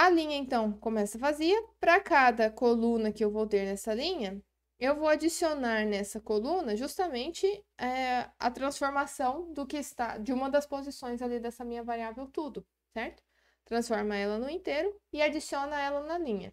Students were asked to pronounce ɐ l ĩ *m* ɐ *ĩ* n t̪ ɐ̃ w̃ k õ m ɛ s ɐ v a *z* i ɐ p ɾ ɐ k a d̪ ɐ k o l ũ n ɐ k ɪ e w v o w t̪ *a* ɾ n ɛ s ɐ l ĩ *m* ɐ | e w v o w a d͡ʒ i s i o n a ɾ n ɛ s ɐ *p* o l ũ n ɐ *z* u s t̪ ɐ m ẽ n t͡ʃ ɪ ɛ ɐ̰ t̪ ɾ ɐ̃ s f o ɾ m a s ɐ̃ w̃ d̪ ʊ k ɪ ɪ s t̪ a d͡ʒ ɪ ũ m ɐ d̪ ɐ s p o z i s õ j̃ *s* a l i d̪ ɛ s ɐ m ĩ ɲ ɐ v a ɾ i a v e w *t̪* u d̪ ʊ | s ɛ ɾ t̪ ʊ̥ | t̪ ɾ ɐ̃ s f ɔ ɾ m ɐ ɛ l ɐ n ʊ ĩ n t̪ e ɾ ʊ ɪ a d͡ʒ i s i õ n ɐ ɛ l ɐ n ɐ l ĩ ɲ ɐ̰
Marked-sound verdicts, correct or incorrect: incorrect: ɲ, incorrect: ẽ, correct, incorrect: e, incorrect: ɲ, incorrect: k, incorrect: ʒ, incorrect: z, correct

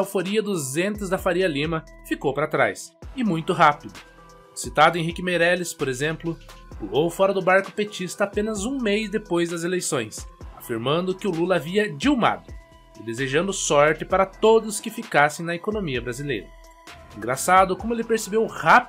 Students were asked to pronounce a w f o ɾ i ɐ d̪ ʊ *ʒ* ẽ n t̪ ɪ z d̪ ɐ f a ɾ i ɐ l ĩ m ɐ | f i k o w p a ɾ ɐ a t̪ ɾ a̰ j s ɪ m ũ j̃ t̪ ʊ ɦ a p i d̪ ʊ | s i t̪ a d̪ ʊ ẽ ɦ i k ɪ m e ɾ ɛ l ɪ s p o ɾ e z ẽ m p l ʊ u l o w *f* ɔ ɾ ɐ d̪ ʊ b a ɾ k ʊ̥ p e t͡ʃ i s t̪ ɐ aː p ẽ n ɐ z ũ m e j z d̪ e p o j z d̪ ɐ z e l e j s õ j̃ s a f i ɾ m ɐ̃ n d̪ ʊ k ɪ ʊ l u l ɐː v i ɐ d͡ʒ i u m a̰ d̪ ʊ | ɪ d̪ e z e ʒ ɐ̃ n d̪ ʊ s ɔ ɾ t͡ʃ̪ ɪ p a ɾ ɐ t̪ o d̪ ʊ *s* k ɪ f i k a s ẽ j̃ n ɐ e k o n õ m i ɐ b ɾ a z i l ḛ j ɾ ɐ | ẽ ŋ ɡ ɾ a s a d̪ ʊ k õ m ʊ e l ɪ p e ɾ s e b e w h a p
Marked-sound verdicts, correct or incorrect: incorrect: z, correct, correct

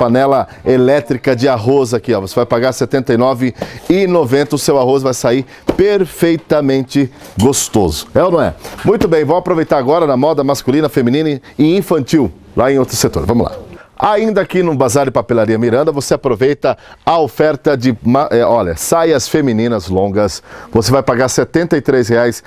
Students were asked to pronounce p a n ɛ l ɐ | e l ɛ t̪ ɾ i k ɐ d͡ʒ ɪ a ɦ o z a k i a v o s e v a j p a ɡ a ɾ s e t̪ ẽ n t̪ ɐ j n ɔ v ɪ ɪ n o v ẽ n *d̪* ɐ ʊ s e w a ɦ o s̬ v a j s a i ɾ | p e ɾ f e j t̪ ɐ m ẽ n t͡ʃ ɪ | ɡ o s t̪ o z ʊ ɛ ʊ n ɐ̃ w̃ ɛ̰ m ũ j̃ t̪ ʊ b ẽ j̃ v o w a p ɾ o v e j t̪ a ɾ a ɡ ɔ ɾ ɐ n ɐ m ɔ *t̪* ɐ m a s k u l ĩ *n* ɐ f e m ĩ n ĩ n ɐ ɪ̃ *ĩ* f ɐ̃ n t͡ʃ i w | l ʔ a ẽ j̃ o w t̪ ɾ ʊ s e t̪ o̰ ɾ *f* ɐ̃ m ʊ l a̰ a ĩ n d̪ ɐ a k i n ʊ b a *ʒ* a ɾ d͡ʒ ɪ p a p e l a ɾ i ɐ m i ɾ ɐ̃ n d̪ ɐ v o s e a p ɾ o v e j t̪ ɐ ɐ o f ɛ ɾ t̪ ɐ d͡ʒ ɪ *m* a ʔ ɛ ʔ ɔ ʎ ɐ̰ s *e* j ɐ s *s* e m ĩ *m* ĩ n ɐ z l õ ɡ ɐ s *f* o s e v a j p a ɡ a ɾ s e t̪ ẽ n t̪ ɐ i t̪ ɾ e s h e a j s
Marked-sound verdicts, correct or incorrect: incorrect: t̪, incorrect: d̪, correct, correct, incorrect: v, incorrect: z, correct, incorrect: a, incorrect: f, incorrect: n, incorrect: v

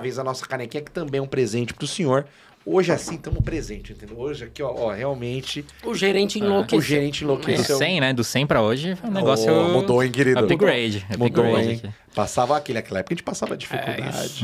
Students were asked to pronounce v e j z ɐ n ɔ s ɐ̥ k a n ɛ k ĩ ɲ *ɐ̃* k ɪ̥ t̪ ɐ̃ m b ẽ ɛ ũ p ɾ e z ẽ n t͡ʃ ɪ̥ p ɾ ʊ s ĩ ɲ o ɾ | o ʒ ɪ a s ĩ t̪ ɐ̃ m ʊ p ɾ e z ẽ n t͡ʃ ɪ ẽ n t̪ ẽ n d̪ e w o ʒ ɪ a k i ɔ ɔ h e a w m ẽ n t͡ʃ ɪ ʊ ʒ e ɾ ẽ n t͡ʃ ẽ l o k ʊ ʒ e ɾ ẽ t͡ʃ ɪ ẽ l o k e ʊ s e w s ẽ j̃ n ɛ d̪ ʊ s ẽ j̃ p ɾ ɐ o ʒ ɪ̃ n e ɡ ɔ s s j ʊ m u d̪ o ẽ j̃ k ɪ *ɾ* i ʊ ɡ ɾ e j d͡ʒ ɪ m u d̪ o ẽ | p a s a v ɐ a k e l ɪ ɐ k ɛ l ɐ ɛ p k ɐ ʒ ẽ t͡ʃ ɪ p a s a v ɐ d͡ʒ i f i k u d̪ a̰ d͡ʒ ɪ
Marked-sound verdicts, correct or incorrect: incorrect: ɐ, correct

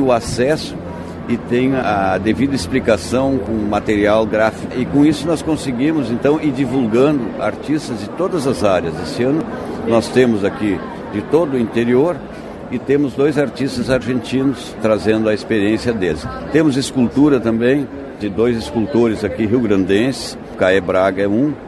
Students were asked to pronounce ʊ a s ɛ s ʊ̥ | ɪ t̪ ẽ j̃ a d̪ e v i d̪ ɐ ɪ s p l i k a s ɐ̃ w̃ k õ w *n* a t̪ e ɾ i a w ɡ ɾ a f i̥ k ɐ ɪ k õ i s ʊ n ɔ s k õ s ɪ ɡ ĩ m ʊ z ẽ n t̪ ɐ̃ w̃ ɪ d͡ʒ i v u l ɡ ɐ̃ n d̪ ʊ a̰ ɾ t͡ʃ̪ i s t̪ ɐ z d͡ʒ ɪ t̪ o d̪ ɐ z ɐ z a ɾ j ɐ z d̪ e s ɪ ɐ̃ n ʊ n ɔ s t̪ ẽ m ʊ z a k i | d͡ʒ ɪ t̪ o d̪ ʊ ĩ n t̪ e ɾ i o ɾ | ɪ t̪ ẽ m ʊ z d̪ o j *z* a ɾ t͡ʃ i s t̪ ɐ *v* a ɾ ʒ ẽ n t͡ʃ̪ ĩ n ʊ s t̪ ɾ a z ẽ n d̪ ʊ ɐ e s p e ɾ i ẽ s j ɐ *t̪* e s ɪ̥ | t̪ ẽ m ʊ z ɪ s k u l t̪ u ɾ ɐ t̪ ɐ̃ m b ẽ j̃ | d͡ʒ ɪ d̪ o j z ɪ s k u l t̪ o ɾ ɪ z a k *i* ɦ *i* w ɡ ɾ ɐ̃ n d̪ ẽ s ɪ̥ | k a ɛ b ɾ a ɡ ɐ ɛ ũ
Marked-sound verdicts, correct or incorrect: incorrect: m, correct, incorrect: z, incorrect: d̪, correct, correct

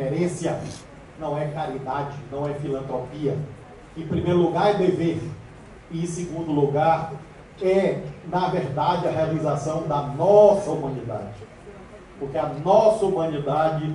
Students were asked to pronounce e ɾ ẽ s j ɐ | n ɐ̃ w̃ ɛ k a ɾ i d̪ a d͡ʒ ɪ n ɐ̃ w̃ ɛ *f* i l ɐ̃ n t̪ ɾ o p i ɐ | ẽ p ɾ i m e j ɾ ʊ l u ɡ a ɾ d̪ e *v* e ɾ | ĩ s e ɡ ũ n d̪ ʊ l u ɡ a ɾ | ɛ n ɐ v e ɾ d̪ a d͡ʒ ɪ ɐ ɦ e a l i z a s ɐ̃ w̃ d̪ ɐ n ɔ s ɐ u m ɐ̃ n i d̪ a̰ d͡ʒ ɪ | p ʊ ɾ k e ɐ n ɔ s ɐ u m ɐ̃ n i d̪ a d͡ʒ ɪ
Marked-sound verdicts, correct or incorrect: correct, correct

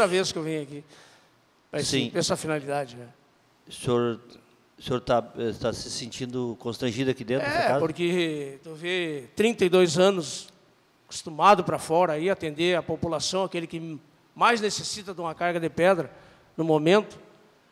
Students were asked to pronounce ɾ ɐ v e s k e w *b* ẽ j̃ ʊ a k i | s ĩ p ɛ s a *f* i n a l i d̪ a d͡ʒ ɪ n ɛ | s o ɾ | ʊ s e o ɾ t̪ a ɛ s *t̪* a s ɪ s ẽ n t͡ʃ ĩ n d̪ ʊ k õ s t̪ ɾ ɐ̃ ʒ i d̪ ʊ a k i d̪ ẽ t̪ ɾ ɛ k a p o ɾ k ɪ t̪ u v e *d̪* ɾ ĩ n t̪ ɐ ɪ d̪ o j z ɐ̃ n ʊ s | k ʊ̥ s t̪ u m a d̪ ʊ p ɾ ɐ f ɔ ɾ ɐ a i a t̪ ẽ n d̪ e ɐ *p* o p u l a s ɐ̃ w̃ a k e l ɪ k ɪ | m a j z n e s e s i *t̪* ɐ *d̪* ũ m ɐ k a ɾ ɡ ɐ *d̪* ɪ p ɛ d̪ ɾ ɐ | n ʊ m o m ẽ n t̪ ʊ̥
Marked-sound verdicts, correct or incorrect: incorrect: v, correct, correct, incorrect: t̪, correct, correct, correct, correct

